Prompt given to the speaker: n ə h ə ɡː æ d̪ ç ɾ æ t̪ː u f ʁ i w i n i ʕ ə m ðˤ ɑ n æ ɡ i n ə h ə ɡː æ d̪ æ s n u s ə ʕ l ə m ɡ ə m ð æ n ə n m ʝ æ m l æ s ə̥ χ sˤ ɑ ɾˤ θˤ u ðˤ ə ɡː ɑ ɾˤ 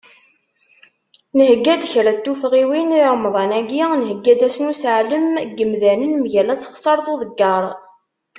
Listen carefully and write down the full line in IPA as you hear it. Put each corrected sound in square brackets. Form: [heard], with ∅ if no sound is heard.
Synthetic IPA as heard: n ə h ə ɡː æ d̪ ç ɾ æ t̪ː u f ʁ i w i n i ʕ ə m ðˤ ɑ n æ ɡ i n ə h ə ɡː æ d̪ æ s n u s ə ʕ l ə m ɡ ə m ð æ n ə n m ʝ æ [∅] l æ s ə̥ χ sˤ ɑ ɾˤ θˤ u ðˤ ə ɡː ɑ ɾˤ